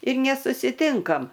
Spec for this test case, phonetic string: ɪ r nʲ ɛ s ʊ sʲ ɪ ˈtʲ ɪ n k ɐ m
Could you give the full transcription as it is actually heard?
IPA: ɪ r nʲ ɛ s ʊ sʲ ɪ ˈtʲ ɪ ŋ k ɐ m